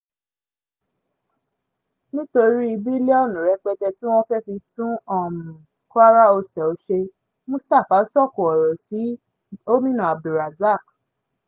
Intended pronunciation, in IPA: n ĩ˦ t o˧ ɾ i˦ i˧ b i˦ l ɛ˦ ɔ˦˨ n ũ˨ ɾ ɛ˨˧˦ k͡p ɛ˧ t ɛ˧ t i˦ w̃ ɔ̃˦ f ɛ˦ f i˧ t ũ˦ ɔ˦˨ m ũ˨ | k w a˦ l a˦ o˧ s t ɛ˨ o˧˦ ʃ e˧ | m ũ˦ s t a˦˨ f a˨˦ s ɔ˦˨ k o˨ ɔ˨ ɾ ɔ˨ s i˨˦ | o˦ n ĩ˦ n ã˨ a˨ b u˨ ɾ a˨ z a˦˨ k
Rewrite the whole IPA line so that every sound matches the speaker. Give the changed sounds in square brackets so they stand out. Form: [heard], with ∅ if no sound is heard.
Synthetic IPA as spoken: n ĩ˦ t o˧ ɾ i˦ i˧ b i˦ l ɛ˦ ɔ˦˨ n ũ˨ ɾ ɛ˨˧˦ k͡p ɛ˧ t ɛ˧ t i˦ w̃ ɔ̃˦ f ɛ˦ f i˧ t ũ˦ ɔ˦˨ m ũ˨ | k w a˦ [ɾ] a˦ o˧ s t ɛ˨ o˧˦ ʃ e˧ | m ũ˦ s t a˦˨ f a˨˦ s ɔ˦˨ k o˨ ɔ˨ ɾ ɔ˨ s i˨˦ | o˦ [m] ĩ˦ n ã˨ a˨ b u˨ ɾ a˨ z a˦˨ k